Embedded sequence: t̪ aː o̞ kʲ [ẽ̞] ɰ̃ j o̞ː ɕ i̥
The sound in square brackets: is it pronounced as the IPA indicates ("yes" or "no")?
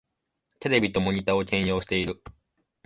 yes